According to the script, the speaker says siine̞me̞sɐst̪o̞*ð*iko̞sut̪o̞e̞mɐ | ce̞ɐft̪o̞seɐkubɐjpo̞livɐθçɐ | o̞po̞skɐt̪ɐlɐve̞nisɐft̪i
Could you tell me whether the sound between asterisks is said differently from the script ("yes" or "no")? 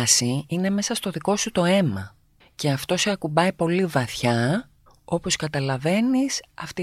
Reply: no